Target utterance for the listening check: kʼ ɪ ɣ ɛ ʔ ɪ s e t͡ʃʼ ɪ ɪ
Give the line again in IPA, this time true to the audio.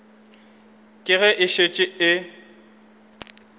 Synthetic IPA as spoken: kʼ ɪ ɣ ɛ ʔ ɪ ʃ e t͡ʃʼ ɪ ɪ